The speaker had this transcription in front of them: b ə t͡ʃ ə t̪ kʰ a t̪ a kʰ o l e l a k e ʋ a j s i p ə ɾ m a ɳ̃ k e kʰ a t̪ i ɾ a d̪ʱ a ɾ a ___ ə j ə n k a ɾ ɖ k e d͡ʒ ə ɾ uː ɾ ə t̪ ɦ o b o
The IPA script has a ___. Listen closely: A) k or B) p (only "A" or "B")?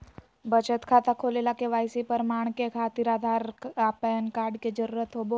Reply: B